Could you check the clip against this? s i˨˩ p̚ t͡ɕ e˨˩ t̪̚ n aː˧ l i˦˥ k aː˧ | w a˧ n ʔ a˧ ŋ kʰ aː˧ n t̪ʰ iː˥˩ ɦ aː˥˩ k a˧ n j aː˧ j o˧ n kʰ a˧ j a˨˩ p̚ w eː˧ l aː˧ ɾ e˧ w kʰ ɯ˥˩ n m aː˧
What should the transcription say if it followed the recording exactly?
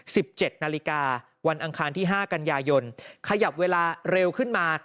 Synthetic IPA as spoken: s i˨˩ p̚ t͡ɕ e˨˩ t̪̚ n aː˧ l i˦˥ k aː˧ | w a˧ n ʔ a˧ ŋ kʰ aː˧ n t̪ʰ iː˥˩ ɦ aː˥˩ k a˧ n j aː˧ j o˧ n kʰ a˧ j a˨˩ p̚ w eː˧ l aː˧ ɾ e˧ w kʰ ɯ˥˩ n m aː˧